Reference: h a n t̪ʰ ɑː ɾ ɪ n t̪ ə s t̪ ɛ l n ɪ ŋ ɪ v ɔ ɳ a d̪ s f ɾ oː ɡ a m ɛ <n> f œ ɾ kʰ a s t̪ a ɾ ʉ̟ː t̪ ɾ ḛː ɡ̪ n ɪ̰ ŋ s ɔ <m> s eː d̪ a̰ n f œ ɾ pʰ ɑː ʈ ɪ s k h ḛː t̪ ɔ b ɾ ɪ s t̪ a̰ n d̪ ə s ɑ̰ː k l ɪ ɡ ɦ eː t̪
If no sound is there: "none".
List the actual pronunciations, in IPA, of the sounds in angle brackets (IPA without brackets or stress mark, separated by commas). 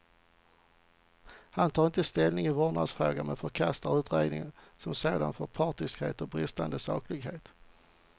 n, m